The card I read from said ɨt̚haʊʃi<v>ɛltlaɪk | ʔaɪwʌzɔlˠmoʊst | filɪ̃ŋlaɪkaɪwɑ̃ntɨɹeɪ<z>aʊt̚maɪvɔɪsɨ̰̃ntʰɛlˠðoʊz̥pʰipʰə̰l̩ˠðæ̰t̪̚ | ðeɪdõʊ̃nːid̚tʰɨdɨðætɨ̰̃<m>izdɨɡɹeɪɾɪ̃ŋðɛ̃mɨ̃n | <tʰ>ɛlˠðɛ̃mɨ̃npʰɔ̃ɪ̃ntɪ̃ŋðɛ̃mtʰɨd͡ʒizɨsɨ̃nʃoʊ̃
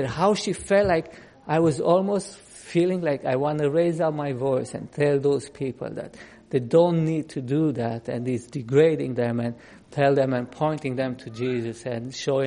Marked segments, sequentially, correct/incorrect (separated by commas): incorrect, correct, incorrect, correct